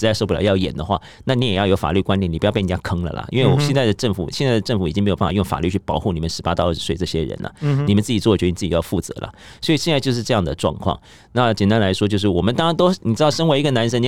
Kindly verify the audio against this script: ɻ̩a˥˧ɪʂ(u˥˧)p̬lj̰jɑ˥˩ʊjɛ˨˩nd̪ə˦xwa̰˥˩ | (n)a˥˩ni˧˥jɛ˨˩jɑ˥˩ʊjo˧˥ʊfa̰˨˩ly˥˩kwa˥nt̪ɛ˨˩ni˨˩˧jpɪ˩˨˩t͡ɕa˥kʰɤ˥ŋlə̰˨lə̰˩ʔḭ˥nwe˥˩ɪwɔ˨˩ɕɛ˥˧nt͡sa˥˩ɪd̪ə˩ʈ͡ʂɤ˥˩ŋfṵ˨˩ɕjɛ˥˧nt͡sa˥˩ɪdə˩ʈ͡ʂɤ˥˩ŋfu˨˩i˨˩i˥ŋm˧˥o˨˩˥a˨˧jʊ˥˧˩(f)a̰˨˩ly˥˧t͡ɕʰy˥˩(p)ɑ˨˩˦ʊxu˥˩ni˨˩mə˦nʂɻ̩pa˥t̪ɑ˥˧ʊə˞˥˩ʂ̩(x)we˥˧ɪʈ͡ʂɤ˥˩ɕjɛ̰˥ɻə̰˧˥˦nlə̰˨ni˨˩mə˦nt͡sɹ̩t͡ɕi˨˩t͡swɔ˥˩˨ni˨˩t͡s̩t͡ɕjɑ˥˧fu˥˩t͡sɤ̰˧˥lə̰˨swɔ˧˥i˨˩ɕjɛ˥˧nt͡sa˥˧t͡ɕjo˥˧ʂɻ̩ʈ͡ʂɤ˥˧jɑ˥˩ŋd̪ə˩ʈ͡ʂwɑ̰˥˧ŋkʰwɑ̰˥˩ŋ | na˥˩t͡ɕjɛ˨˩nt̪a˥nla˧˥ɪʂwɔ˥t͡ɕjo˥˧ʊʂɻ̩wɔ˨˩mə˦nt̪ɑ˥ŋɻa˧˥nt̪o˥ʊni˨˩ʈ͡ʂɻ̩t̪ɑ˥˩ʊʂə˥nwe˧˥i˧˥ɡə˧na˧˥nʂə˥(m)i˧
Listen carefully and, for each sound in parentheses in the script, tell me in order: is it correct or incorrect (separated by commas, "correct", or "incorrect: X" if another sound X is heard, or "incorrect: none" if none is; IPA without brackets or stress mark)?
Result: incorrect: o˥˧, correct, correct, correct, incorrect: s, incorrect: n